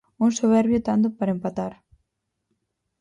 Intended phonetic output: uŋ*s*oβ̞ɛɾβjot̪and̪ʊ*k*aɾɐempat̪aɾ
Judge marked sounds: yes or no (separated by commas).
yes, no